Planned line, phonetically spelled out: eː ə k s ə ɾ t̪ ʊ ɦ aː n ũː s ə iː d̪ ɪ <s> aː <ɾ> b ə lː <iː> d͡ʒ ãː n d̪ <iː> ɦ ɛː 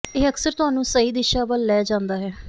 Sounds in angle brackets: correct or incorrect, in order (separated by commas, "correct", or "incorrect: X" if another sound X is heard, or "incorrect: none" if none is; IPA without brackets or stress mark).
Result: incorrect: ʃ, incorrect: none, incorrect: ɛː, incorrect: aː